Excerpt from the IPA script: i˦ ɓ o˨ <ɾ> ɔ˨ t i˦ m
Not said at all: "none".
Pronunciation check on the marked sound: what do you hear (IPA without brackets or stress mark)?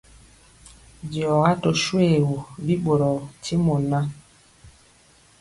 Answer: ɾ